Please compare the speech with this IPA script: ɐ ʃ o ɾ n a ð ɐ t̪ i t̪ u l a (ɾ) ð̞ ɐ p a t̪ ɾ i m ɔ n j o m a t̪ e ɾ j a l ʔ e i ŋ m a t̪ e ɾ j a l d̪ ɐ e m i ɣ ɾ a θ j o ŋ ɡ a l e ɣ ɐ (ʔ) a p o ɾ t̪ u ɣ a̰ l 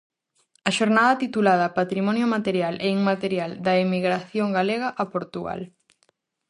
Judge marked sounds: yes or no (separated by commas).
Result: no, yes